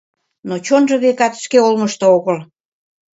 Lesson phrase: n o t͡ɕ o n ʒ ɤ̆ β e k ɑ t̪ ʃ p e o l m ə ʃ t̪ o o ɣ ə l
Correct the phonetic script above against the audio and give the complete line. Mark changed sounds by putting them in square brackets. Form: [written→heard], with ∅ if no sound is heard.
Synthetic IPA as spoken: n o t͡ɕ o n ʒ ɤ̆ β e k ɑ t̪ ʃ [p→k] e o l m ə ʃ t̪ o o ɣ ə l